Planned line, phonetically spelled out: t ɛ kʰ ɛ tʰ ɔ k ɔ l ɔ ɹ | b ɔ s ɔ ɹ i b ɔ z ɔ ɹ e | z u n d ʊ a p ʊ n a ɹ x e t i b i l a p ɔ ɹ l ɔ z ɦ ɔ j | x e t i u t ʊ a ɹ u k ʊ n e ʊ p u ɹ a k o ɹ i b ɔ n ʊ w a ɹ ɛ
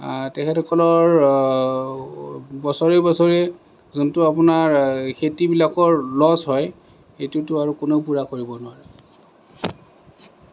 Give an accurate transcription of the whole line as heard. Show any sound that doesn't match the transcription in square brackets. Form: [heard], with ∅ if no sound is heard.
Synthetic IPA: t ɛ kʰ ɛ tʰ ɔ k ɔ l ɔ ɹ | b ɔ s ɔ ɹ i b ɔ [s] ɔ ɹ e | z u n [t] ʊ a p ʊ n a ɹ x e t i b i l a [k] ɔ ɹ l ɔ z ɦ ɔ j | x e t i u t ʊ a ɹ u k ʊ n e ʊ p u ɹ a k o ɹ i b ɔ n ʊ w a ɹ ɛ